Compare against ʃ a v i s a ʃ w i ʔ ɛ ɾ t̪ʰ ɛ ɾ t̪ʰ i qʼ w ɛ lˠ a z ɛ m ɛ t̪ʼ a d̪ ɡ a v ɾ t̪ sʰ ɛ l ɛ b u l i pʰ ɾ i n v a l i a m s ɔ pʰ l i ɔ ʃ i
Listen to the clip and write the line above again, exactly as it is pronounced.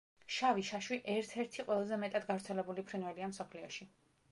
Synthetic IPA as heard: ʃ a v i ʃ a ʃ w i ʔ ɛ ɾ t̪ʰ ɛ ɾ t̪ʰ i qʼ w ɛ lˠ a z ɛ m ɛ t̪ʼ a d̪ ɡ a v ɾ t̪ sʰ ɛ l ɛ b u l i pʰ ɾ i n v ɛ l i a m s ɔ pʰ l i ɔ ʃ i